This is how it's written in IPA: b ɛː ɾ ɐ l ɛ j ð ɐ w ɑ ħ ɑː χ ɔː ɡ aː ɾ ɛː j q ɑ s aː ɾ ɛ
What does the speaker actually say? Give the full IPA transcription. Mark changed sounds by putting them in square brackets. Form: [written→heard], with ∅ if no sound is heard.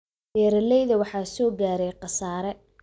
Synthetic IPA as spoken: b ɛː ɾ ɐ l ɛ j ð ɐ w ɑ ħ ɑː [χ→s] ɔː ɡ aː ɾ [ɛː→ɛ] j q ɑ s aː ɾ ɛ